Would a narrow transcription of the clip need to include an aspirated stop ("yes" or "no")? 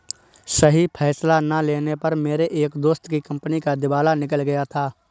yes